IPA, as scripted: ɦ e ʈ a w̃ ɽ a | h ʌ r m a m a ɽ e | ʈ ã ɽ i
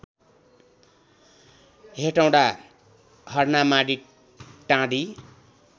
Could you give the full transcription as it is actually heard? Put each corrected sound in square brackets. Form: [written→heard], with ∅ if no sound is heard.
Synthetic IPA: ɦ e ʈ a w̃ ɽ a | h ʌ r [m→n] a m a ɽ [e→i] | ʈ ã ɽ i

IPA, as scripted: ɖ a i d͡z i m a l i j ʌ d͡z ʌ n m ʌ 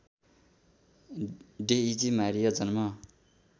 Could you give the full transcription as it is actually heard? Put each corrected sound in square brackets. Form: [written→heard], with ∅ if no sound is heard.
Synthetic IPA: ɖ [a→e] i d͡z i m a [l→ɾ] i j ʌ d͡z ʌ n m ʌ

